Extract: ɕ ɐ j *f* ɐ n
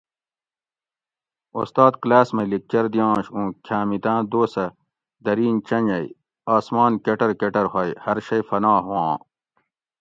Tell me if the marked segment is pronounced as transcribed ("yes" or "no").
yes